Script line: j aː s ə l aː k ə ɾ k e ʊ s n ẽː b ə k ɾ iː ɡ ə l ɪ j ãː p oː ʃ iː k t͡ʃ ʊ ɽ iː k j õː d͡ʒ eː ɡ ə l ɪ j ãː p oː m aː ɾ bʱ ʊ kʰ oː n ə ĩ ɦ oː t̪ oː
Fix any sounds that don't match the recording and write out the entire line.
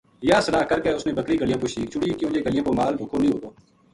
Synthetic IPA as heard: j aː s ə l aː k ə ɾ k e ʊ s n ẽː b ə k ɾ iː ɡ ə l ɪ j ãː p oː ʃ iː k t͡ʃ ʊ ɽ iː k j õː d͡ʒ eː ɡ ə l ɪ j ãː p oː m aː l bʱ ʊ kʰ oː n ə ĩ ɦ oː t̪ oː